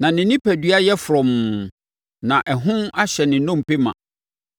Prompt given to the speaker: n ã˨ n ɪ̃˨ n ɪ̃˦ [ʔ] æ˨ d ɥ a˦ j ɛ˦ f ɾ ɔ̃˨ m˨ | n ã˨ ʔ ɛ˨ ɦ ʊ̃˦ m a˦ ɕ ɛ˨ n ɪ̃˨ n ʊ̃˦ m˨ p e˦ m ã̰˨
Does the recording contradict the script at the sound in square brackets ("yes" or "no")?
yes